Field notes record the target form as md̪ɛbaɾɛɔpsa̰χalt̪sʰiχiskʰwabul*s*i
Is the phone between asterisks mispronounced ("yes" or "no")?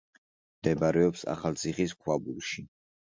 yes